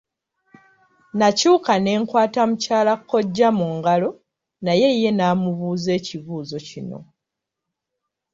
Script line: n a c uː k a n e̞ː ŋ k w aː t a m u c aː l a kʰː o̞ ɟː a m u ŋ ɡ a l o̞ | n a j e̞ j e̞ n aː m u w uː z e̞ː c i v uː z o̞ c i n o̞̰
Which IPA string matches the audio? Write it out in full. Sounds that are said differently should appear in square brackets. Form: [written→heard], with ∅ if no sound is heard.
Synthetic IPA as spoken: n a c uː k a n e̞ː ŋ k w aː t a m u c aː l a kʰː o̞ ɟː a m u ŋ ɡ a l o̞ | n a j e̞ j e̞ n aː m u [w→β] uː z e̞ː c i [v→β] uː z o̞ c i n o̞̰